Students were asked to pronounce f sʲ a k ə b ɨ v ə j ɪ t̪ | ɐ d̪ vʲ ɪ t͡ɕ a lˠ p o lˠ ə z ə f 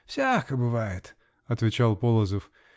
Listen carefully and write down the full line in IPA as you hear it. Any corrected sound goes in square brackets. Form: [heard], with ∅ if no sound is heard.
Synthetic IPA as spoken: f sʲ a k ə b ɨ v [a] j ɪ t̪ | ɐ [t̪] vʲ ɪ t͡ɕ a lˠ p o lˠ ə z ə f